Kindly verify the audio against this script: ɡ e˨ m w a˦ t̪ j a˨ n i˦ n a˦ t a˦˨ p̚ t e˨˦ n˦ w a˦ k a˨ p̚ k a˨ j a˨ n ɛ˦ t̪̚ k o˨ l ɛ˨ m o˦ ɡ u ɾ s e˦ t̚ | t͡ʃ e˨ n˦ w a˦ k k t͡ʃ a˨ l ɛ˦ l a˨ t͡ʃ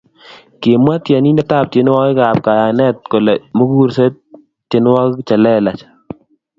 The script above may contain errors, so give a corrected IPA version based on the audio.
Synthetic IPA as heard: k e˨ m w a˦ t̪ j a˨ n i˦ n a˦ t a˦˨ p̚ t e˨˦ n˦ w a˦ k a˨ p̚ k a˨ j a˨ n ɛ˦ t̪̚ k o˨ l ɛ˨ m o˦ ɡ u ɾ s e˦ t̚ | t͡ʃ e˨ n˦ w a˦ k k t͡ʃ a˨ l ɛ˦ l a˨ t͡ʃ